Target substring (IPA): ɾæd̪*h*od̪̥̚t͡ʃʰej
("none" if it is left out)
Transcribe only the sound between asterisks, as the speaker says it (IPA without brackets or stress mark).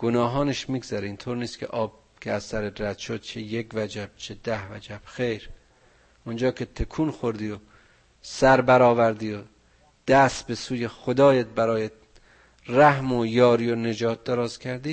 ʃ